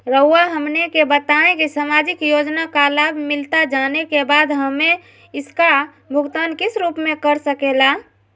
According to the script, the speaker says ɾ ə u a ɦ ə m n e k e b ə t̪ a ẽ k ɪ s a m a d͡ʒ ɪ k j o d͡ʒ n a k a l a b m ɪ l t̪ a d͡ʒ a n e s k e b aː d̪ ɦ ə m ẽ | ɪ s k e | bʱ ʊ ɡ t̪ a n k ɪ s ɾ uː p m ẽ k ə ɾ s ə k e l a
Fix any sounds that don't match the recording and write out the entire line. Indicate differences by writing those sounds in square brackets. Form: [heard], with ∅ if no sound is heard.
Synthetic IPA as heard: ɾ ə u a ɦ ə m n e k e b ə t̪ a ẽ k [i] s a m a d͡ʒ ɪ k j o d͡ʒ n a k a l a b m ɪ l t̪ a d͡ʒ a n e [∅] k e b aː d̪ ɦ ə m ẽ | ɪ s k [a] | bʱ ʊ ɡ t̪ a n k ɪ s ɾ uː p m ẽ k ə ɾ s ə k e l a